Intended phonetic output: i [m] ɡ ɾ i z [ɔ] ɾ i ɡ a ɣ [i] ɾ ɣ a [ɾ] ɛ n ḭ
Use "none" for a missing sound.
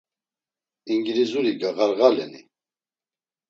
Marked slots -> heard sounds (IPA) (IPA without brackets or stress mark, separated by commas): ŋ, u, a, l